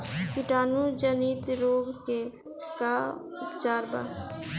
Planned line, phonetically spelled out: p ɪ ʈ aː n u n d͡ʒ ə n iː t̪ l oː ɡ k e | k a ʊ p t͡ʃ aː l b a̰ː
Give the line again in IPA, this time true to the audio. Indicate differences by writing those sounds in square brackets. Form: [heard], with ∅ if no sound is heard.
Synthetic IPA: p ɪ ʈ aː n u [∅] d͡ʒ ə n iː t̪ [ɾ] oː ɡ k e | k a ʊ p t͡ʃ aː [ɾ] b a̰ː